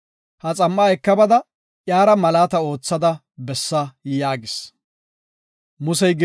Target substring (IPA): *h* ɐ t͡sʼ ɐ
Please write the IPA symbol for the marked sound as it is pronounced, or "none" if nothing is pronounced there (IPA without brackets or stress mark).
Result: h